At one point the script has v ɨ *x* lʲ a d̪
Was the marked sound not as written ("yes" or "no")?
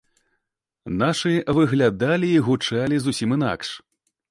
yes